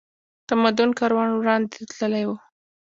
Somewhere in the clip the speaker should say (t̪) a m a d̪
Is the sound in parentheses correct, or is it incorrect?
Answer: correct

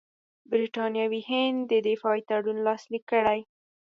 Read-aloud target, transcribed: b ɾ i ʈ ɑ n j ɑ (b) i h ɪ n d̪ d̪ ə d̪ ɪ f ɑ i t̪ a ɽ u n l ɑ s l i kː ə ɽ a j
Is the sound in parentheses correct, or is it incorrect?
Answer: incorrect: w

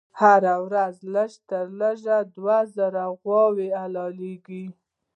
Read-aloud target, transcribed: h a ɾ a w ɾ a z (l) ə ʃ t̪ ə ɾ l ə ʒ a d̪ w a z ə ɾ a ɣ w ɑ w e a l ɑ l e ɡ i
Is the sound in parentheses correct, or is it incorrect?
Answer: correct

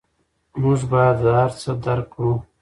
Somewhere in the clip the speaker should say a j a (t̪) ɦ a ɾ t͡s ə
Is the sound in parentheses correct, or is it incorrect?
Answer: incorrect: d̪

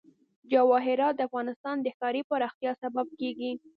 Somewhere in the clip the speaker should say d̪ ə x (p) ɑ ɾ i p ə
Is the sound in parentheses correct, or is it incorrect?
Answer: incorrect: k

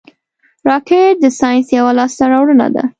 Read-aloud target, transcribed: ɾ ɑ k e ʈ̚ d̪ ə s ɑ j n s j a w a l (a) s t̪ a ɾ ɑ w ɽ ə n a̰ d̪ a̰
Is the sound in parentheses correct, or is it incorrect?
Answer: incorrect: ɑ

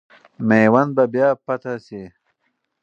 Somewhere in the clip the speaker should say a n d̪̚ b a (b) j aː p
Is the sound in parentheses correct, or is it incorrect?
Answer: correct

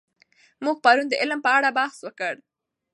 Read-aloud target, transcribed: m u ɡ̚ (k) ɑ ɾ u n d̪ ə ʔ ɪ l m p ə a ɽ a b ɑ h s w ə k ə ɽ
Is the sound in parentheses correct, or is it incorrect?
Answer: incorrect: p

